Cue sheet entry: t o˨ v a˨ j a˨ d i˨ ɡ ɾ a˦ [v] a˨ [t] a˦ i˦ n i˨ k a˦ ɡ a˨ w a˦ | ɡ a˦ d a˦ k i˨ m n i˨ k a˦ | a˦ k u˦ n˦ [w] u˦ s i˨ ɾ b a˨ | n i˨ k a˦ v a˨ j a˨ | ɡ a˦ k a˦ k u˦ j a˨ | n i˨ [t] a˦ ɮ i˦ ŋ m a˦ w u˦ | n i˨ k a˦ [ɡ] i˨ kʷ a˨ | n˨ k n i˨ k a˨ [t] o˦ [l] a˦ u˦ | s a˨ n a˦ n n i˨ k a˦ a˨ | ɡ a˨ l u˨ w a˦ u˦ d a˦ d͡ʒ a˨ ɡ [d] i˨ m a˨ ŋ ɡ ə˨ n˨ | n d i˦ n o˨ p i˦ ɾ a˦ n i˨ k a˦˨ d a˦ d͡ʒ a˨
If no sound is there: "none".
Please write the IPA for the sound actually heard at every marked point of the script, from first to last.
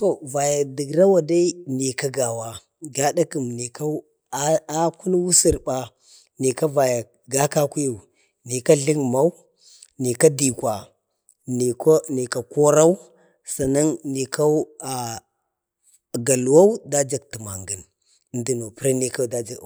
w, d, w, k, d, k, ɾ, t

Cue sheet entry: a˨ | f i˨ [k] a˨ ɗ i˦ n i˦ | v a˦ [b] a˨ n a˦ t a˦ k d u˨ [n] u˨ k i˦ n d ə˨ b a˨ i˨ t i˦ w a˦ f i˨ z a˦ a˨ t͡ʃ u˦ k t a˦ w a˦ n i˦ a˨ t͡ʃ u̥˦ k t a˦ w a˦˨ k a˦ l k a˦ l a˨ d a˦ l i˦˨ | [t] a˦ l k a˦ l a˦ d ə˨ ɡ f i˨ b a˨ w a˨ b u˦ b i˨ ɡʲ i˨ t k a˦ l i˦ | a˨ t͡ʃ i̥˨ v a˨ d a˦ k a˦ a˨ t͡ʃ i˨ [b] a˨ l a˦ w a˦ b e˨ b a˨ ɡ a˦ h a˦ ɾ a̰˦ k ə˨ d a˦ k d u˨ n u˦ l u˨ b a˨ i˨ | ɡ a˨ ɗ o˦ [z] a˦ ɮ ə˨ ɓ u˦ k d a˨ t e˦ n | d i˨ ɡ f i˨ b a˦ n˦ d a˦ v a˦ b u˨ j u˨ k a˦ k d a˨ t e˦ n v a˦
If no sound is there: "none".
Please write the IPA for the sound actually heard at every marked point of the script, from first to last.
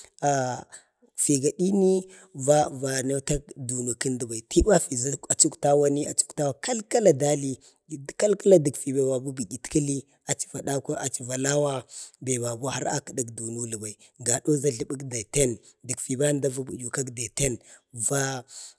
ɡ, v, n, k, v, z

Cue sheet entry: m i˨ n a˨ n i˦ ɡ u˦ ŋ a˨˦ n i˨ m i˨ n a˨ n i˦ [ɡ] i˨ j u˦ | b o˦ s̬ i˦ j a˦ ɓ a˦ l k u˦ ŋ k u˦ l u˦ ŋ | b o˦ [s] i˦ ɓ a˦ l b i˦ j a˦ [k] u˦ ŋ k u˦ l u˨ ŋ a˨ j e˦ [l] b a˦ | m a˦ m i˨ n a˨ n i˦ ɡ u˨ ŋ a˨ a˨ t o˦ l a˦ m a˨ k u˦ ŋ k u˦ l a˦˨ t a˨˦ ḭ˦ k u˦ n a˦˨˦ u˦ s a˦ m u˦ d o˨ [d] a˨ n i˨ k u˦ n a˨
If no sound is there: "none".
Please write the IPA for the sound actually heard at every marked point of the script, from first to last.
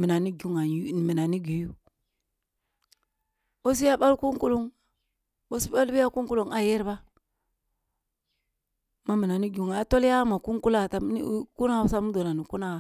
ɡ, s, k, ɾ, n

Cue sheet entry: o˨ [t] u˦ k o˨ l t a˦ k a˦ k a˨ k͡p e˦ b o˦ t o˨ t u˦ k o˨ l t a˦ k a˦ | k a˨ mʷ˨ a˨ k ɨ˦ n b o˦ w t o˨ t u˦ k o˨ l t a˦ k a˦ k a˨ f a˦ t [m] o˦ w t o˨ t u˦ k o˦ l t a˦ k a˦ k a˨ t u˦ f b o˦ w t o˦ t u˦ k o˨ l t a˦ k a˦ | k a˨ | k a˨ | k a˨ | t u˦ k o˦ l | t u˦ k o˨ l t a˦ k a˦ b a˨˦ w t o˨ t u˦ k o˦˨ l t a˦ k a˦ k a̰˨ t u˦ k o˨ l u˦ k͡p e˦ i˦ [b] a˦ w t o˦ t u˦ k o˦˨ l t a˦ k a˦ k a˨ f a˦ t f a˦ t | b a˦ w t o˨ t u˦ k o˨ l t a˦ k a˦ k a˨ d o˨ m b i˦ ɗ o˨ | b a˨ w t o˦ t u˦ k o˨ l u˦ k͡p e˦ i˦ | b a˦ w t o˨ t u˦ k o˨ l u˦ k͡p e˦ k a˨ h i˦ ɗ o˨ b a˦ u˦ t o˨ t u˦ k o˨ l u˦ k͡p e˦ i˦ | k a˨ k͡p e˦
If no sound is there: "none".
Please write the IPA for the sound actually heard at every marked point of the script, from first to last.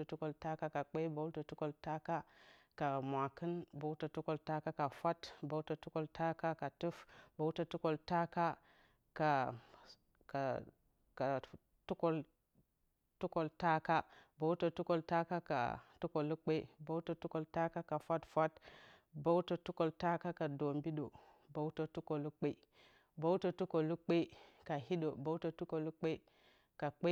t, b, b

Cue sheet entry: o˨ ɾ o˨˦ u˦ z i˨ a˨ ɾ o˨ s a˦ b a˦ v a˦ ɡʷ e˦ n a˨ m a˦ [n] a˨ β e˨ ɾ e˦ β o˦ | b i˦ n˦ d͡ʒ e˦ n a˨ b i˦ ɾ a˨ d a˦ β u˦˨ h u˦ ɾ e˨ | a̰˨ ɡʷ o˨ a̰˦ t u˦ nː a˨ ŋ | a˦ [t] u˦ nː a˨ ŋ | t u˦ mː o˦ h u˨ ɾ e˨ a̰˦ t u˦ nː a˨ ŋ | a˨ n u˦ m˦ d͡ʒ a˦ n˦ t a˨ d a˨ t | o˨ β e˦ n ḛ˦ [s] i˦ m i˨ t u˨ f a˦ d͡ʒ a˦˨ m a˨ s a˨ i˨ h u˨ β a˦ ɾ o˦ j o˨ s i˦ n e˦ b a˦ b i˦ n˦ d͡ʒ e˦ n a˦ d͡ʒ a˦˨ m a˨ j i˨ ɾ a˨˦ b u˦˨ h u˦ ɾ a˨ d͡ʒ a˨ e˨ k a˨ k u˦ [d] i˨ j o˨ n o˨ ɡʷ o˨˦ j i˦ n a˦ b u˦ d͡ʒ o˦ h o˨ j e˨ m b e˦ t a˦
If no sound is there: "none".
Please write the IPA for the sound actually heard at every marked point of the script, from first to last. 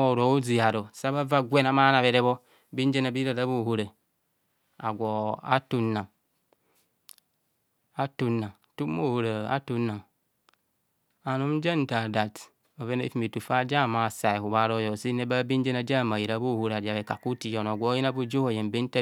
n, t, f, t

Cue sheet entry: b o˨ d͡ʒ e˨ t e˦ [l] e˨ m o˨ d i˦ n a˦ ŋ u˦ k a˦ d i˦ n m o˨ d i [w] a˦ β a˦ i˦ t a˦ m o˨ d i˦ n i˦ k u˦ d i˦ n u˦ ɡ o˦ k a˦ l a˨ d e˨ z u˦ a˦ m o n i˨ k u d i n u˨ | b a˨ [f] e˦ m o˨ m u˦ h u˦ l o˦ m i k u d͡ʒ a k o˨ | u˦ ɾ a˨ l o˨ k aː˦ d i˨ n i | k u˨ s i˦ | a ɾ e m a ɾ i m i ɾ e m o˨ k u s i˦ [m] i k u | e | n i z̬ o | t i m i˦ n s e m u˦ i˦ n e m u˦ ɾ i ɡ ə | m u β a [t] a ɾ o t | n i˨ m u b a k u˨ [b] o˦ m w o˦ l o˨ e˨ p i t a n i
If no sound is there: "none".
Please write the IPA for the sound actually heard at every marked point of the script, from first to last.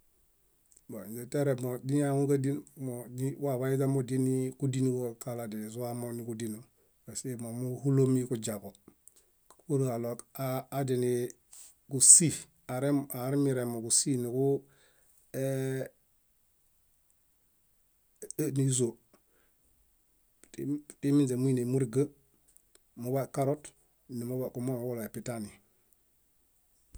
ɾ, w, s, n, k, m

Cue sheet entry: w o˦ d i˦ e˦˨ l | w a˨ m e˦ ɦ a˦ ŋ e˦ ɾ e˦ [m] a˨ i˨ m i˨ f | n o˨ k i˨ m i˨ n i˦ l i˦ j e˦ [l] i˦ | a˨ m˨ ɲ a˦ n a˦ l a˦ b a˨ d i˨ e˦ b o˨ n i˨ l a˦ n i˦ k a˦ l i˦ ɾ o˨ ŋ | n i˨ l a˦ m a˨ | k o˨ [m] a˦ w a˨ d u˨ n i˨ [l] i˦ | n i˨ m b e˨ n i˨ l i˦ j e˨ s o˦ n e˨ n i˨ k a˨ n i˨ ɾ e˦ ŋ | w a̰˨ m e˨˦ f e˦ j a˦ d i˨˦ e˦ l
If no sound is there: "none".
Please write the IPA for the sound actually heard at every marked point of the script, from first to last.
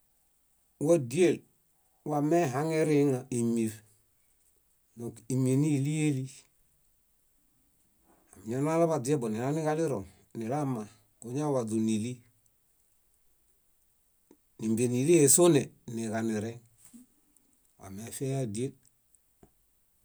ŋ, l, ɲ, l

